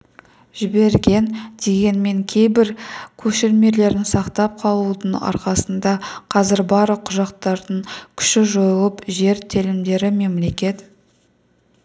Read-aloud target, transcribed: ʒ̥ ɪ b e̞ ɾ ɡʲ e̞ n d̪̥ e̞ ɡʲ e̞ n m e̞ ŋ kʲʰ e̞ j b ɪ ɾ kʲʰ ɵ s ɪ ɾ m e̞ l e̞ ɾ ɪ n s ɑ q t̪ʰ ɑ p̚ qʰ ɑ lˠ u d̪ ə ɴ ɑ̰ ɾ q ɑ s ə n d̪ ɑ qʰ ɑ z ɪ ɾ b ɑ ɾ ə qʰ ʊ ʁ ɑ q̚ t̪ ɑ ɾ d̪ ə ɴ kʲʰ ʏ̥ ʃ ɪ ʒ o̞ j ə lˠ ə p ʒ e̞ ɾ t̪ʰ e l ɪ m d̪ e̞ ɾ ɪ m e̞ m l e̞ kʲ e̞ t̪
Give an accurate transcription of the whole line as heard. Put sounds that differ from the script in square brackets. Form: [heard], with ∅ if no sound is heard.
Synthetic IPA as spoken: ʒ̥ ɪ b e̞ ɾ ɡʲ e̞ n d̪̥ e̞ ɡʲ e̞ n m e̞ ŋ kʲʰ e̞ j b ɪ ɾ kʲʰ ɵ [ʃ] ɪ ɾ m e̞ l e̞ ɾ ɪ n s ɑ q [t̪] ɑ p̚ qʰ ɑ lˠ u d̪ ə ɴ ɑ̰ ɾ q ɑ s ə n d̪ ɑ qʰ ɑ z ɪ ɾ b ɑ ɾ ə qʰ ʊ [ʒ] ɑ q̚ t̪ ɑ ɾ d̪ ə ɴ kʲʰ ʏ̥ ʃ ɪ ʒ o̞ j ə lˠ ə p ʒ e̞ ɾ t̪ʰ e l ɪ m d̪ e̞ ɾ ɪ m e̞ m l e̞ kʲ e̞ t̪